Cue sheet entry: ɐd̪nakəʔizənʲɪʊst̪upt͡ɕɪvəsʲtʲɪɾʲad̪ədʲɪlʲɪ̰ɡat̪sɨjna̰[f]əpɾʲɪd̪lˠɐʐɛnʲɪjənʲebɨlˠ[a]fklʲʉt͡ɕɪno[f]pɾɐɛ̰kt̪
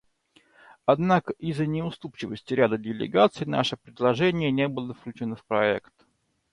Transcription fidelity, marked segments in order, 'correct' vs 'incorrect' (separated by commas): incorrect, incorrect, correct